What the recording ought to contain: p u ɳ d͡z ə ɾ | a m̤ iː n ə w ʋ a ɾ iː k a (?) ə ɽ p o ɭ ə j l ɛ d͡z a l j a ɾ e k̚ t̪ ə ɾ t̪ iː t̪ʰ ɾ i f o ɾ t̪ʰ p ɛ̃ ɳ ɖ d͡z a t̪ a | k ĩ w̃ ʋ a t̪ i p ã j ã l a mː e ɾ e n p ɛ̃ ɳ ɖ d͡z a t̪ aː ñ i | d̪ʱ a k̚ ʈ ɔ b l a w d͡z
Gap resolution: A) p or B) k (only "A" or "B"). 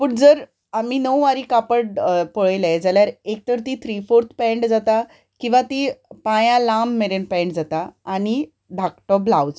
A